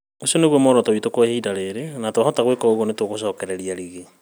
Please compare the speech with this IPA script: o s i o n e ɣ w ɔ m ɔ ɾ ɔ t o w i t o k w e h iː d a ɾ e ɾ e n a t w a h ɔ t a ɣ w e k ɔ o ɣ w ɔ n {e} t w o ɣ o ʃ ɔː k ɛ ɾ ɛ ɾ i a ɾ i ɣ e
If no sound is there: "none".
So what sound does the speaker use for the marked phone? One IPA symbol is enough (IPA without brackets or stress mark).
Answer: e